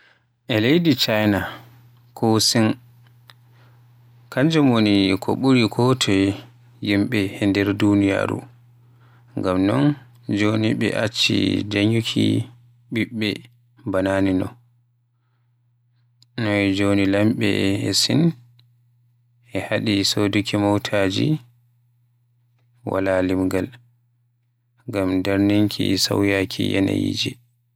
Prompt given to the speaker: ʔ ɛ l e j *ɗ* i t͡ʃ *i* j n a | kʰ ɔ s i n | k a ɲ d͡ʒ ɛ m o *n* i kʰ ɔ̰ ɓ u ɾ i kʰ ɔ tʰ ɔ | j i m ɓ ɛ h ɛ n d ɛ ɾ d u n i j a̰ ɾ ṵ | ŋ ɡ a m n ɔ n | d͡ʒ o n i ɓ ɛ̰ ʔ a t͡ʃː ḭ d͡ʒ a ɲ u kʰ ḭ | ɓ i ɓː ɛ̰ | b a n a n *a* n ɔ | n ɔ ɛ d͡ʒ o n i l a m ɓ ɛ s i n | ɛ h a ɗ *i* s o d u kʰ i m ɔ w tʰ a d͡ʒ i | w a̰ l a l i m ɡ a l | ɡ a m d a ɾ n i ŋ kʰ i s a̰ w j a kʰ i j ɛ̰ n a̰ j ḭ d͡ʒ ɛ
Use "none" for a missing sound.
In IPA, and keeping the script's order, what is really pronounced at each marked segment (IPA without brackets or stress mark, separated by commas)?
d, a, n, i, i